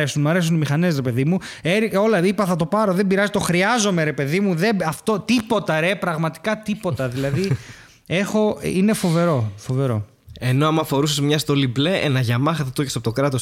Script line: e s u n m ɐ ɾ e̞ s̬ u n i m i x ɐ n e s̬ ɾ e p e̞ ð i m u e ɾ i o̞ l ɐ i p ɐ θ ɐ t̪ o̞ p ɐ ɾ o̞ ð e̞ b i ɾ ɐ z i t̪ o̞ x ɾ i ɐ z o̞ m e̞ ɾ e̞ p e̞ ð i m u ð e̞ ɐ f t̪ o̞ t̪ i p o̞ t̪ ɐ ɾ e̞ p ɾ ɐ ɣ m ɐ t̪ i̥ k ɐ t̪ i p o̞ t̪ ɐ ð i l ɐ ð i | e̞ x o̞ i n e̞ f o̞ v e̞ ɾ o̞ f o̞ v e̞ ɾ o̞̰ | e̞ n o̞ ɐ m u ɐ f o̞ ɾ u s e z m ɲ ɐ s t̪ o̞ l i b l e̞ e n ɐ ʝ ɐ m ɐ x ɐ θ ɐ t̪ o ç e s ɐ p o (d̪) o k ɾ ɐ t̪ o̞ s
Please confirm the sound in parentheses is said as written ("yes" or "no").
no